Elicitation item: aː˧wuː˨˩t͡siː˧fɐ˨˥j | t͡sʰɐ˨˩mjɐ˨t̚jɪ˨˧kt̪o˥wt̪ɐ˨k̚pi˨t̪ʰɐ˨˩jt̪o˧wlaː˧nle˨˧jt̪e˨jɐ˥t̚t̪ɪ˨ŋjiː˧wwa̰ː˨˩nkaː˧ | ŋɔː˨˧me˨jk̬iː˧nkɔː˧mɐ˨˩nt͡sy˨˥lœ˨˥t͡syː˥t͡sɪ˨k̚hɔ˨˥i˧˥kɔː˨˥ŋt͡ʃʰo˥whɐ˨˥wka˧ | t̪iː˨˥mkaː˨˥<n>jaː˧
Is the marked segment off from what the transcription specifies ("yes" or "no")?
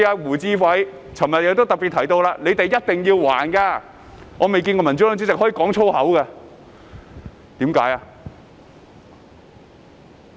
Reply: yes